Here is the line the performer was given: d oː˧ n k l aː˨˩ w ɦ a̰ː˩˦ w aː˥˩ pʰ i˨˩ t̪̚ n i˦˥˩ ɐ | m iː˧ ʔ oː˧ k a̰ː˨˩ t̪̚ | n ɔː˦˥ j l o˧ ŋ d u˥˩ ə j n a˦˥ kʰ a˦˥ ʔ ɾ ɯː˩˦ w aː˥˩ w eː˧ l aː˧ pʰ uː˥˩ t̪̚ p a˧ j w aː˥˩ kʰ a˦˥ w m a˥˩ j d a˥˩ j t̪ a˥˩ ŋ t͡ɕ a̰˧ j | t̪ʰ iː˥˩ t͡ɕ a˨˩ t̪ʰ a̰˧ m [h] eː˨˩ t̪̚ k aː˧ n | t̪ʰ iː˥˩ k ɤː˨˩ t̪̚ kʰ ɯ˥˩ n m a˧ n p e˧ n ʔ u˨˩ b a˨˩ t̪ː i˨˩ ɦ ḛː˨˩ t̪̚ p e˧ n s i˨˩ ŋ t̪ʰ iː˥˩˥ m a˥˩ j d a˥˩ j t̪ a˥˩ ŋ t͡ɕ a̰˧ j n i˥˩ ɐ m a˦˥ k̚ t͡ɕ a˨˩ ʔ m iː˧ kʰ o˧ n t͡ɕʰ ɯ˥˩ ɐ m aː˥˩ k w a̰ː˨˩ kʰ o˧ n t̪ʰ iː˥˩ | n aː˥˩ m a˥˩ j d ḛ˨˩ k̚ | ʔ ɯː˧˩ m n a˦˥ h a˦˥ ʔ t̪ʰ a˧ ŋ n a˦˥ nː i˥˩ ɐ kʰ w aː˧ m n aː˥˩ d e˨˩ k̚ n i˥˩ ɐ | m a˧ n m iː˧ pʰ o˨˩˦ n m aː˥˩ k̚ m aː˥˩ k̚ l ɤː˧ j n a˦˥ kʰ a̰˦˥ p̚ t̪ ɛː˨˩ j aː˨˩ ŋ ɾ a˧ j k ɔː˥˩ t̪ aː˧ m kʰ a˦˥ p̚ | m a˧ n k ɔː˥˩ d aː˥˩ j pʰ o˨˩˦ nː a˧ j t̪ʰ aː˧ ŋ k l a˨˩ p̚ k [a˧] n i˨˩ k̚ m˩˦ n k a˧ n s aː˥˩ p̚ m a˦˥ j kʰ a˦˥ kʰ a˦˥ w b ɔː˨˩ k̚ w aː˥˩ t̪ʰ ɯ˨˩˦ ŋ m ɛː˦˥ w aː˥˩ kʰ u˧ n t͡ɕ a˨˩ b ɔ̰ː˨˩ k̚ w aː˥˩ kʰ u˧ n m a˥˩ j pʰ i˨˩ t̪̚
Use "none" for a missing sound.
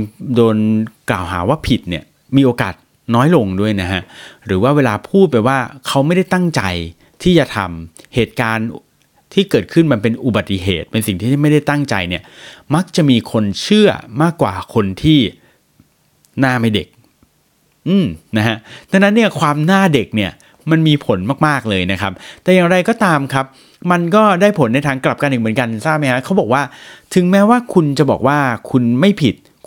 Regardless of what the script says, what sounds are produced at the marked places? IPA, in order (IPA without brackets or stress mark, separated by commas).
h, a˧